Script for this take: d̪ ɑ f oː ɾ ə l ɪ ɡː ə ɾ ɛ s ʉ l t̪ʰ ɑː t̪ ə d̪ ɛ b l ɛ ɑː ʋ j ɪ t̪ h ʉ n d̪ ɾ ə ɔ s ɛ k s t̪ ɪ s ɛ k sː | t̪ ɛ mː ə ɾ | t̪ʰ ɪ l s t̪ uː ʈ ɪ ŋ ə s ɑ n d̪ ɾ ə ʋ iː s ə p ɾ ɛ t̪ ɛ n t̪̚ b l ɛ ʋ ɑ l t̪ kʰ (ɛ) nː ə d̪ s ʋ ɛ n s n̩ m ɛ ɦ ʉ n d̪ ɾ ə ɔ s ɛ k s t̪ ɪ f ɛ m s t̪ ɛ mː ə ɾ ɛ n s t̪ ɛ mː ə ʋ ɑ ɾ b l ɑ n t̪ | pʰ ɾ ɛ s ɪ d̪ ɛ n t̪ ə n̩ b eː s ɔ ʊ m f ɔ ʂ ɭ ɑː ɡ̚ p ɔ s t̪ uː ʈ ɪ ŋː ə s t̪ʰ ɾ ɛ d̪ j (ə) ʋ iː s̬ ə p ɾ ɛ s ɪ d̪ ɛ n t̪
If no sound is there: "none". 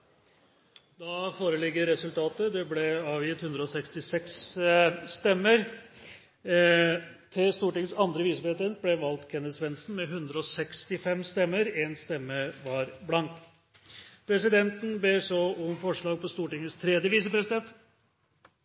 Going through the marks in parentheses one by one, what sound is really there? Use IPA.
ɛ, ə

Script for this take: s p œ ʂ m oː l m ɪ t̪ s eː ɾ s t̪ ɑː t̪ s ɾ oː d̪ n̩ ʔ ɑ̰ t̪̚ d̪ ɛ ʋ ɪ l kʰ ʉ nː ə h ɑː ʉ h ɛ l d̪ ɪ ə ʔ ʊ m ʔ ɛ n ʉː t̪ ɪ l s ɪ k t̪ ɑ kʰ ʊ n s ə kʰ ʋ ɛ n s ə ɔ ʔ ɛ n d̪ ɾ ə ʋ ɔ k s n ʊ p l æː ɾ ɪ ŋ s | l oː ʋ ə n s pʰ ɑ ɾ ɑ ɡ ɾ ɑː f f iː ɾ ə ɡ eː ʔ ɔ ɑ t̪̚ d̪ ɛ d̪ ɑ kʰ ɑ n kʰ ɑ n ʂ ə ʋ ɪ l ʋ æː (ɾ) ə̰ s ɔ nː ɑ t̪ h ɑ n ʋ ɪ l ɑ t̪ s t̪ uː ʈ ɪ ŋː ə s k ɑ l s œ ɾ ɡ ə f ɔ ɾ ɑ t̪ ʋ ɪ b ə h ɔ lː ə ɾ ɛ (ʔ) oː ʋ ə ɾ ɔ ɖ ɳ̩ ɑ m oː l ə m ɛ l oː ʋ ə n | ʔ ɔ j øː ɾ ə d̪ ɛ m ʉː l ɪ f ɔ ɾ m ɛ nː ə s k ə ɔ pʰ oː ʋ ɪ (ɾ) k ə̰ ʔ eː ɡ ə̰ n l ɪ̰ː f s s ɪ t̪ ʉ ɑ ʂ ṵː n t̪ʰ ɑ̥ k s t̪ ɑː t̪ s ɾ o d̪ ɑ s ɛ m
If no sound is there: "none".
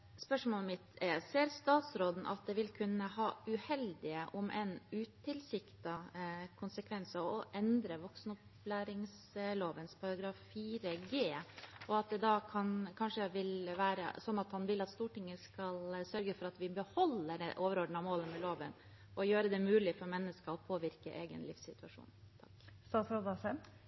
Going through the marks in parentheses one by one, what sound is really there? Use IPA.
ɾ, ʔ, ɾ

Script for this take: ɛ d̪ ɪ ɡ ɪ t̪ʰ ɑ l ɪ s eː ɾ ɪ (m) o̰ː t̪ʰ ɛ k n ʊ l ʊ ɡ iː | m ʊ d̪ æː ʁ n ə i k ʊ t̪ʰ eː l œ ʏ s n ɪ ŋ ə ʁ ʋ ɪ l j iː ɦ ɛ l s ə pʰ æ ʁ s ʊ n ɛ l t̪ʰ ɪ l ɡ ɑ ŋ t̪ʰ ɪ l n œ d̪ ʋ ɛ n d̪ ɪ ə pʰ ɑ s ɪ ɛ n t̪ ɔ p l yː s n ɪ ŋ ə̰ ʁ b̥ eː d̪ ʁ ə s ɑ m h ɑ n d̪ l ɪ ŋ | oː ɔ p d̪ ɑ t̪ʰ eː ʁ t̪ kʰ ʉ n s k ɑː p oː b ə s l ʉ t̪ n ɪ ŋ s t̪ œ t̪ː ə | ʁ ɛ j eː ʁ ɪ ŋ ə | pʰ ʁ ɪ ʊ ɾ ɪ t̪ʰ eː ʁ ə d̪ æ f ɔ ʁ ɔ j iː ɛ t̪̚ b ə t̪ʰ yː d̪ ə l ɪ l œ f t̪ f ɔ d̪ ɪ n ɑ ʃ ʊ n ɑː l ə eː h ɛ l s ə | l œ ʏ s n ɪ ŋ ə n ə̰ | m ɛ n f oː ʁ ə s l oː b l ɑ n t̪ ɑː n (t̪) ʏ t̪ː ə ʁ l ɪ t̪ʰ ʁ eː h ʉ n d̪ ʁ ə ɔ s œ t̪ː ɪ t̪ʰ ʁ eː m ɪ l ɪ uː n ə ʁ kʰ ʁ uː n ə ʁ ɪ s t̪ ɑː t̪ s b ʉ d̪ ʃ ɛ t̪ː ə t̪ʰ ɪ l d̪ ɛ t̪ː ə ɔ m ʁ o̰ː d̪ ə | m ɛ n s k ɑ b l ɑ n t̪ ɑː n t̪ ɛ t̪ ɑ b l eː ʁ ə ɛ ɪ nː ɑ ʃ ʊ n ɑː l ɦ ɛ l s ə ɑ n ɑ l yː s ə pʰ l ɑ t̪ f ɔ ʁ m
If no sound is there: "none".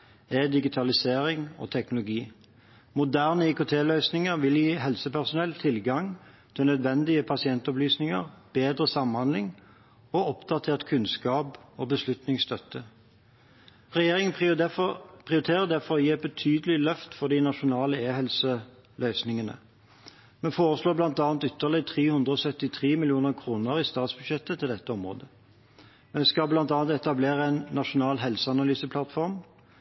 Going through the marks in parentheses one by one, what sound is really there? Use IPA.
ŋ, t̪

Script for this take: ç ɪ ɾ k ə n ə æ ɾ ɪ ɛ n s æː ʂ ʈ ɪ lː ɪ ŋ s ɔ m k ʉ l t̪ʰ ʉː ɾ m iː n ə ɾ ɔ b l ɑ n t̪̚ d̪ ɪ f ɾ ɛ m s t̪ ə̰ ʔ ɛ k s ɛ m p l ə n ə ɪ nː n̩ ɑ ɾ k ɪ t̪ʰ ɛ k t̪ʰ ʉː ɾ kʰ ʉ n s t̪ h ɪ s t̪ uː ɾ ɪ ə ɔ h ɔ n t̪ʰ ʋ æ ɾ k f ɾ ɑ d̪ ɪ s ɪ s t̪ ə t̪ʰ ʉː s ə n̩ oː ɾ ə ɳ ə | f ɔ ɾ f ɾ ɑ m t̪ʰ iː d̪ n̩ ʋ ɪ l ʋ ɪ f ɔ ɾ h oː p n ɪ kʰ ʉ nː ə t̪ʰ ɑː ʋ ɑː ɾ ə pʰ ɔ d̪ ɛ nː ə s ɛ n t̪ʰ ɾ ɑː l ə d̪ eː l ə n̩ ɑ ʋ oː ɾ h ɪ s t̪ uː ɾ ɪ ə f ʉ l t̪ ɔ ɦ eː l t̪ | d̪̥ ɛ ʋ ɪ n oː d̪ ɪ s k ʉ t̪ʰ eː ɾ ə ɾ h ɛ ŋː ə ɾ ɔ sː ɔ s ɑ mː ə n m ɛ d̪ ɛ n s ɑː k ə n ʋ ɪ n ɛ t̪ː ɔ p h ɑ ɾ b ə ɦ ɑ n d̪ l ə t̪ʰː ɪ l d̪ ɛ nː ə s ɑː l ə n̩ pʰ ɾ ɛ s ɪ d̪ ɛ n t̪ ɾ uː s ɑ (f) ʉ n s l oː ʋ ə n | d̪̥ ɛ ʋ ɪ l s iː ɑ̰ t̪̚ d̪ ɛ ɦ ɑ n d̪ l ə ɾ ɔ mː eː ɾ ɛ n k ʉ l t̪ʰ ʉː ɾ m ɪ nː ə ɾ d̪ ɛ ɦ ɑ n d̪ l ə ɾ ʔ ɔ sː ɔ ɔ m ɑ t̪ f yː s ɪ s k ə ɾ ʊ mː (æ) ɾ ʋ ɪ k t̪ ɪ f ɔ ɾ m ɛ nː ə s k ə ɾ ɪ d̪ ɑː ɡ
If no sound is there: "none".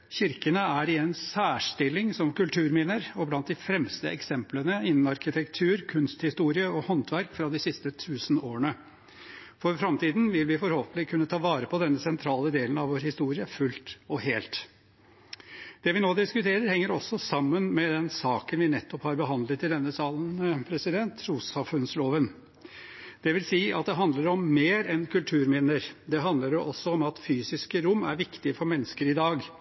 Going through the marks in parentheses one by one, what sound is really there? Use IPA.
f, æ

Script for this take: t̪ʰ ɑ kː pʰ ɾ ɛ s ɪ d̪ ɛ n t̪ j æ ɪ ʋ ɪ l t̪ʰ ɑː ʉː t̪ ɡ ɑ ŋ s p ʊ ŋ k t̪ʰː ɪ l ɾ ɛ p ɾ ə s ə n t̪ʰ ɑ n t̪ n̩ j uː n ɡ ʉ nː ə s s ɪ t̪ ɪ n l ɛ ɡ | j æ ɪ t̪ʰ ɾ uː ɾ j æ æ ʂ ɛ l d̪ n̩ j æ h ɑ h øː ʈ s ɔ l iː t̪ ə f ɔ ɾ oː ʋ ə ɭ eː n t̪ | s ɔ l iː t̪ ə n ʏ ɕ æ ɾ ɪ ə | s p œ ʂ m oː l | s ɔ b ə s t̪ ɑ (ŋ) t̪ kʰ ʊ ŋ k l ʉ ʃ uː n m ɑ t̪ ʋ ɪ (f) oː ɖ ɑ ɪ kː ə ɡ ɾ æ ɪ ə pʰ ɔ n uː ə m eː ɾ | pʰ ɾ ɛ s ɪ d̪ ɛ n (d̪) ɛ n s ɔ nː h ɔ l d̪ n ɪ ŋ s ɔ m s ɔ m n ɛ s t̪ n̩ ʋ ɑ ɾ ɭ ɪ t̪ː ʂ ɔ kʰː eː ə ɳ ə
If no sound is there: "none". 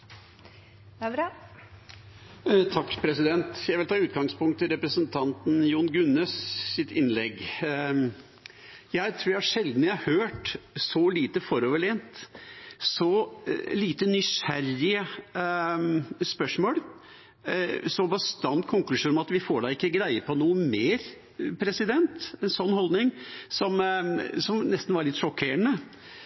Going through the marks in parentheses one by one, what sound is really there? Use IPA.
n, f, t̪

